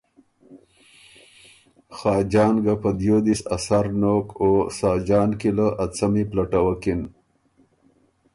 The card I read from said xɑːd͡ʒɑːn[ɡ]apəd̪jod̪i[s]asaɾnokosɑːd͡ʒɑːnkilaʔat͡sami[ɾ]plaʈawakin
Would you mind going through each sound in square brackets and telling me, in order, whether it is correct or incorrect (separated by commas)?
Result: correct, correct, incorrect